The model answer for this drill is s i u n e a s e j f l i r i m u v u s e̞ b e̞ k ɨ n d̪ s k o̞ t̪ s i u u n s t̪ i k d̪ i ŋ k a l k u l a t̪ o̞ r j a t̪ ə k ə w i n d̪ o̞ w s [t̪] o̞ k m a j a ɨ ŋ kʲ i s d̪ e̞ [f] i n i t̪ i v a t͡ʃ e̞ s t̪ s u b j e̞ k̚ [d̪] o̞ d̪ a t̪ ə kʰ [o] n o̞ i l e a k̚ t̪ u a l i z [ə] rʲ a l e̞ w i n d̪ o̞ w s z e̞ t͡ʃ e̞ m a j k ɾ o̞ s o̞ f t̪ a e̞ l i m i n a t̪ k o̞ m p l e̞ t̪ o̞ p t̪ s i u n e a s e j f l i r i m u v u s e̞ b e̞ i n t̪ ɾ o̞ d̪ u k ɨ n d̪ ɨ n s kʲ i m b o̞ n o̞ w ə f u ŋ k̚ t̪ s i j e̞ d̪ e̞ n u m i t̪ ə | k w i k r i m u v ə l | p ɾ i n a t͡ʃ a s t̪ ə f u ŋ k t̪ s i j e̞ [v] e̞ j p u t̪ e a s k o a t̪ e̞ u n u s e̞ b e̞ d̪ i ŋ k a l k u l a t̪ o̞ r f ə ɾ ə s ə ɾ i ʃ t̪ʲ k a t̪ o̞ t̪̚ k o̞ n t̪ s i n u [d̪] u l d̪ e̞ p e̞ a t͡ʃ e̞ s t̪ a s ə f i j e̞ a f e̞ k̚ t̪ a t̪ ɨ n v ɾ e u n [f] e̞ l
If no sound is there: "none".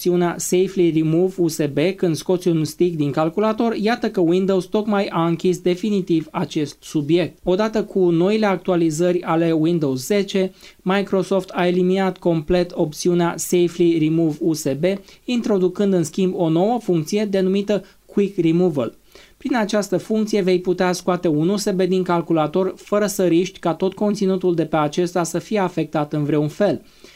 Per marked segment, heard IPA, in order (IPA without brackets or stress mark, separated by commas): t̪, f, t̪, u, ə, v, t̪, f